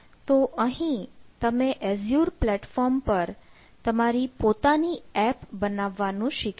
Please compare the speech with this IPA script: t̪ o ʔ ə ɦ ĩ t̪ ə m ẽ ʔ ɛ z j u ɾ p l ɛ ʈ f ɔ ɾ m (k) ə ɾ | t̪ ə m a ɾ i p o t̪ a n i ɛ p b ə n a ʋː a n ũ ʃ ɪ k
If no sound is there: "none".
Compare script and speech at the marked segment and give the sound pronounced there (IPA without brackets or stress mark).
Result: p